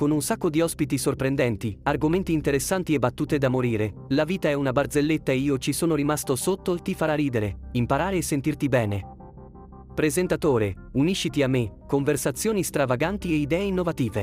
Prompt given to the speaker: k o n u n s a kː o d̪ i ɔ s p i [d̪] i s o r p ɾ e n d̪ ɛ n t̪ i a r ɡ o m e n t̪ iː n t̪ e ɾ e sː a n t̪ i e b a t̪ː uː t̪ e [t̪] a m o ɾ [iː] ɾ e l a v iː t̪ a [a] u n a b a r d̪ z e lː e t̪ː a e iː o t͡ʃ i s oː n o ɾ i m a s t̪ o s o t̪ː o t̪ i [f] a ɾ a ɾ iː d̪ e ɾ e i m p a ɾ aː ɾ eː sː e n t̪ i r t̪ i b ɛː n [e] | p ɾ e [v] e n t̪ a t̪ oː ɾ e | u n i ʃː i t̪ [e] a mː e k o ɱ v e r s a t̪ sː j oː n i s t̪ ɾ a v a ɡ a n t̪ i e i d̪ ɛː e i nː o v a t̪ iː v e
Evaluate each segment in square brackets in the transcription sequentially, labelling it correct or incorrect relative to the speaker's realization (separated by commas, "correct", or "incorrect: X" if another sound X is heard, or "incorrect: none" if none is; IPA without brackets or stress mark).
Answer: incorrect: t̪, incorrect: d̪, correct, incorrect: ɛ, correct, correct, incorrect: z, incorrect: i